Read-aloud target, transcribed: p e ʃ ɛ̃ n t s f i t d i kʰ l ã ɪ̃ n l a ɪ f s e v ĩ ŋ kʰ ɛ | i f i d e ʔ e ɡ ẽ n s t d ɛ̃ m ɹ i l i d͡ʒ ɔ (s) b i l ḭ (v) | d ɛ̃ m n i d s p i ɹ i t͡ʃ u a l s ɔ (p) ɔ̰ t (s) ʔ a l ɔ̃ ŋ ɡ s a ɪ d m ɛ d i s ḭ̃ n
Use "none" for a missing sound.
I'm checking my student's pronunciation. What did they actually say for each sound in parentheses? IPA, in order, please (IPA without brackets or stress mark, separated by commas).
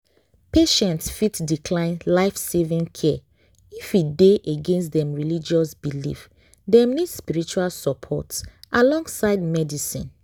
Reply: s, f, pʰ, s